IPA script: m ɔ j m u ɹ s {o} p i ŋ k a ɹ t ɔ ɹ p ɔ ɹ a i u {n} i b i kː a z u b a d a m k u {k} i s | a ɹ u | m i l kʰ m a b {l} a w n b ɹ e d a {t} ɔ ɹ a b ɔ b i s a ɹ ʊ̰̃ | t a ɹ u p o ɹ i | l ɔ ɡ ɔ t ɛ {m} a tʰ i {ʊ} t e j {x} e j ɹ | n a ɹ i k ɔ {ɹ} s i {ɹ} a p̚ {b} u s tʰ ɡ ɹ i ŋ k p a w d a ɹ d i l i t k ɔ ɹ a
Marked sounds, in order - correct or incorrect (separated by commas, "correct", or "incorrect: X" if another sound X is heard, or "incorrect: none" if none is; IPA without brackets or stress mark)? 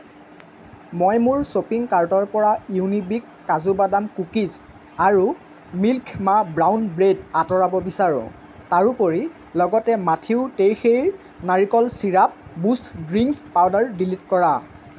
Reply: correct, correct, correct, incorrect: ɹ, correct, correct, correct, correct, incorrect: l, correct, correct